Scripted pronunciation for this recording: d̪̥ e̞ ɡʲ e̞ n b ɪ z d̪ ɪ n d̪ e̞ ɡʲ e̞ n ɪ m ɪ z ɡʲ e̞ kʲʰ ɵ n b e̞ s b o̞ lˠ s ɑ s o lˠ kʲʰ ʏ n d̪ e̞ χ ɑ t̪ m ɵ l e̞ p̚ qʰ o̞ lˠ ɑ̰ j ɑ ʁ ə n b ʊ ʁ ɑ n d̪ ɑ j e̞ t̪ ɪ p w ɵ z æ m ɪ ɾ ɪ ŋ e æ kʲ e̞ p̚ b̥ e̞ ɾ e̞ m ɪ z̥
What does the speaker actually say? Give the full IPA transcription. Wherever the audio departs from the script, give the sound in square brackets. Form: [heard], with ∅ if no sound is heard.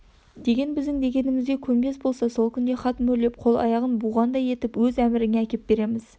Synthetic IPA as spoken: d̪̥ e̞ ɡʲ e̞ n b ɪ z d̪ ɪ [ŋ] d̪ e̞ ɡʲ e̞ n ɪ m ɪ z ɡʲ e̞ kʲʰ ɵ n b e̞ s b o̞ lˠ s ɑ s o lˠ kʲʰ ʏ n d̪ e̞ χ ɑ t̪ m ɵ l e̞ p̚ qʰ o̞ lˠ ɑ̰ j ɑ ʁ ə n b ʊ ʁ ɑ n d̪ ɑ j e̞ t̪ ɪ p w ɵ z æ m ɪ ɾ ɪ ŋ e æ kʲ e̞ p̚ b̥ e̞ ɾ e̞ m ɪ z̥

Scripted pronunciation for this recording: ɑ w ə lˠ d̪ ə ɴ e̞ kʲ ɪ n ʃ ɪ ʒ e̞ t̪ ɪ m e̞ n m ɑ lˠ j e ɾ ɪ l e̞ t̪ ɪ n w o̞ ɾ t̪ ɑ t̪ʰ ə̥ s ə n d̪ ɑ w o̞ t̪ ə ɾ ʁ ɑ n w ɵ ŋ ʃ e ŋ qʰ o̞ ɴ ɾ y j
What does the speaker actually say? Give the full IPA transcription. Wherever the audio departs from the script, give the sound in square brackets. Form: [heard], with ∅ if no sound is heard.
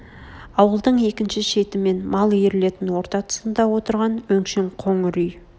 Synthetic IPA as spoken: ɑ w ə lˠ d̪ ə ɴ e̞ kʲ ɪ n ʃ ɪ [ʃ] e̞ t̪ ɪ m e̞ n m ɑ lˠ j e ɾ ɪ l e̞ t̪ ɪ n w o̞ ɾ t̪ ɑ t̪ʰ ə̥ s ə n d̪ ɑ w o̞ t̪ ə ɾ ʁ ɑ n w ɵ ŋ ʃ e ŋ qʰ o̞ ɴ ɾ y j

